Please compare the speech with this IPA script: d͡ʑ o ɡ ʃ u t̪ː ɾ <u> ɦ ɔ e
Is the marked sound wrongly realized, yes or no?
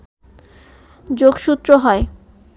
yes